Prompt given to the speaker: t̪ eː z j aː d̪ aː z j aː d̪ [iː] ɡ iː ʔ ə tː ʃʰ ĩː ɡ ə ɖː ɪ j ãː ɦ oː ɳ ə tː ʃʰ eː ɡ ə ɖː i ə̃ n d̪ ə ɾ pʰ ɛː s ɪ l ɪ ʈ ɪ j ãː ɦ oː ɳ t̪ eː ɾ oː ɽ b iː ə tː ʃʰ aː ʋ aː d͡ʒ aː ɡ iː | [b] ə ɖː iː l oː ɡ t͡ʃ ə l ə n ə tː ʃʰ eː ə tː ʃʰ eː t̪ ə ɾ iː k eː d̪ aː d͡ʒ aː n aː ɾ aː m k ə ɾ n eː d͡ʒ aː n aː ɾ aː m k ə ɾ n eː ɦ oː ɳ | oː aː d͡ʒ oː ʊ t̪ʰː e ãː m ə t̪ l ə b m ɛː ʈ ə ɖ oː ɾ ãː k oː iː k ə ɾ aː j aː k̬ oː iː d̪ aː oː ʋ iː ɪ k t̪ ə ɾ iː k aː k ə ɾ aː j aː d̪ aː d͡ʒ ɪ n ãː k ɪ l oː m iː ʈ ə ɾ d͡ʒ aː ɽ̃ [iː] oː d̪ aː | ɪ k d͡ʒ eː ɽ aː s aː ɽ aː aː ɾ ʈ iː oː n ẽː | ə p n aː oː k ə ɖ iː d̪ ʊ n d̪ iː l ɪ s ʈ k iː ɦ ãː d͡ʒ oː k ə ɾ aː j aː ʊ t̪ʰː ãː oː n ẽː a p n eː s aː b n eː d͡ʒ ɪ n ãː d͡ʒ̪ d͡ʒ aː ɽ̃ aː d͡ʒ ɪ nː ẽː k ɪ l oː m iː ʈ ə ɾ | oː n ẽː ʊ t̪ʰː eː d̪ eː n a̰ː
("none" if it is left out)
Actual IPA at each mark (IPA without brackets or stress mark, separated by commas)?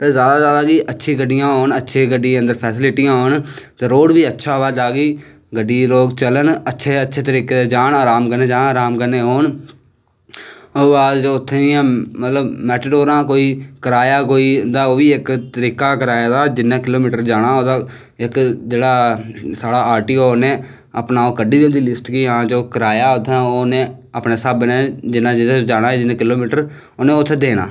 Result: aː, ɡ, aː